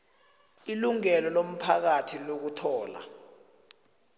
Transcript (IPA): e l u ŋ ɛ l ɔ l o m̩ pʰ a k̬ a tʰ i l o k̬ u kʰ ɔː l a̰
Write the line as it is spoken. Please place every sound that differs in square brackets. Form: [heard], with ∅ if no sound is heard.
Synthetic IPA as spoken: [i] l u ŋ ɛ l ɔ l o m̩ pʰ a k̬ a tʰ i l o k̬ u [tʰ] ɔː l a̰